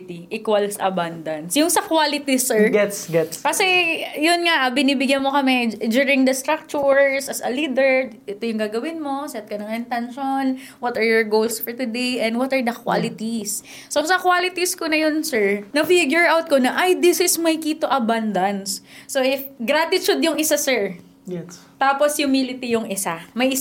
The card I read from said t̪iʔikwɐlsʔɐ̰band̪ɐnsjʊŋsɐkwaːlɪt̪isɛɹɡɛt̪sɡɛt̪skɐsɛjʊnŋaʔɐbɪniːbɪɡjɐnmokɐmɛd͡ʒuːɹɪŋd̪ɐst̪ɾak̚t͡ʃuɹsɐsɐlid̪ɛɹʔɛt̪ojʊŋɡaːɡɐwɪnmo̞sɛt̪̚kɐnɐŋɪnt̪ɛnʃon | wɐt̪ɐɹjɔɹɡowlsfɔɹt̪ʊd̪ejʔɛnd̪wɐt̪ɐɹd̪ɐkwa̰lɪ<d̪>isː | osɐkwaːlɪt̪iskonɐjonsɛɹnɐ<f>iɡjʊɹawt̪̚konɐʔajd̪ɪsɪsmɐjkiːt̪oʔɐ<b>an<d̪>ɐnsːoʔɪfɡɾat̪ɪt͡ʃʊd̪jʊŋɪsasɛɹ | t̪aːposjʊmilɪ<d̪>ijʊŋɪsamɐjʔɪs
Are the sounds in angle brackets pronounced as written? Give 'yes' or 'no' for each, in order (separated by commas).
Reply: no, yes, yes, yes, no